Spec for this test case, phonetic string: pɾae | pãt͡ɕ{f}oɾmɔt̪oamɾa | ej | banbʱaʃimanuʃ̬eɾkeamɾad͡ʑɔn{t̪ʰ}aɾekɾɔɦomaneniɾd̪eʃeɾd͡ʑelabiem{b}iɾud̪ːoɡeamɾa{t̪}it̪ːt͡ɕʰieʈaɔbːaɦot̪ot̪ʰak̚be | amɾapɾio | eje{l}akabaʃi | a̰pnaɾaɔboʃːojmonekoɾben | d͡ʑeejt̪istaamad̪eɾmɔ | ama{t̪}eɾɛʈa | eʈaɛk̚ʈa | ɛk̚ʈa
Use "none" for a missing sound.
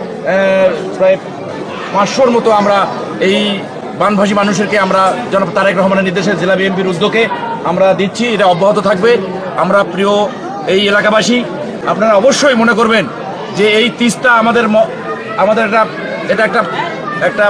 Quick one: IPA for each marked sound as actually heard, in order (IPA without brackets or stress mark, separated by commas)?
ʃ, t̪, p, d̪, l, d̪